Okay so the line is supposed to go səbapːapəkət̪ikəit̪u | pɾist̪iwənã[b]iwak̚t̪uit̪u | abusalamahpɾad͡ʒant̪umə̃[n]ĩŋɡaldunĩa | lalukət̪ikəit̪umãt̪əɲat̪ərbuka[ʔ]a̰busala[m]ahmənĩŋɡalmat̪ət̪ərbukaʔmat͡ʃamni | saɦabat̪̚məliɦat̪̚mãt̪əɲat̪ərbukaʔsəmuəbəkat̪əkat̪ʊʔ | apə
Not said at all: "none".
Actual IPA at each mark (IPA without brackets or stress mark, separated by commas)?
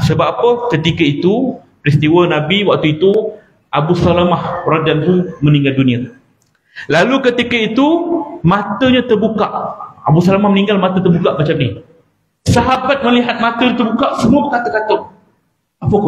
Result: b, n, ʔ, m